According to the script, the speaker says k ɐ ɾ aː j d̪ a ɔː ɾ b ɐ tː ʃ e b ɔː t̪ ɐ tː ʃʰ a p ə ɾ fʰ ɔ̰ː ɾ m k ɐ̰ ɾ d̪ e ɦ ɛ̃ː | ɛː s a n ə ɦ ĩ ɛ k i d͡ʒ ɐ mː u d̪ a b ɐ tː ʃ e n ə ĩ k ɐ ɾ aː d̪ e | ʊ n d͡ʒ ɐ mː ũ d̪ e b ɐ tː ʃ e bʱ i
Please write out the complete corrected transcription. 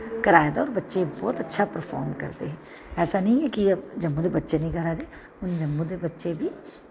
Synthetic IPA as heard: k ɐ ɾ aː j d̪ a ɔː ɾ b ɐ tː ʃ e b ɔː t̪ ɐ tː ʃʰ a p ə ɾ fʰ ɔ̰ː ɾ m k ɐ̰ ɾ t̪ e ɦ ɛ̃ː | ɛː s a n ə ɦ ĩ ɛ k i d͡ʒ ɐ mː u d̪ e b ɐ tː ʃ e n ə ĩ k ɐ ɾ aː d̪ e | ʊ n d͡ʒ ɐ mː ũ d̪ e b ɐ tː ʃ e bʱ i

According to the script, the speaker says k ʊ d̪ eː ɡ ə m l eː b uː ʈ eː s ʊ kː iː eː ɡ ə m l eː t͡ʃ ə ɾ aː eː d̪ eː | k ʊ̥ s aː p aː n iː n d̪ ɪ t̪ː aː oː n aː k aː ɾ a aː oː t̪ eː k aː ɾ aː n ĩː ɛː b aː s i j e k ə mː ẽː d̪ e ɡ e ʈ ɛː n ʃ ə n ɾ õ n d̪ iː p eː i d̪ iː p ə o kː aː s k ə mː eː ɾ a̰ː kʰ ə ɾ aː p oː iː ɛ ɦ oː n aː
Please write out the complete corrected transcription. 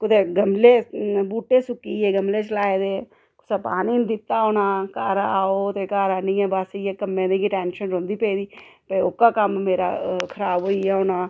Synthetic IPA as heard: k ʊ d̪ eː ɡ ə m l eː b uː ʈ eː s ʊ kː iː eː ɡ ə m l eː t͡ʃ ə l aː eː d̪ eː | k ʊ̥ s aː p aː n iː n d̪ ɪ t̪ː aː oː n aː k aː ɾ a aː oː t̪ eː k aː ɾ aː n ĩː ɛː b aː s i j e k ə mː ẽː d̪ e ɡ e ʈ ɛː n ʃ ə n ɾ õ n d̪ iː p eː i d̪ iː p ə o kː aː k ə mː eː ɾ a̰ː kʰ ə ɾ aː b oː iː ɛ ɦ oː n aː

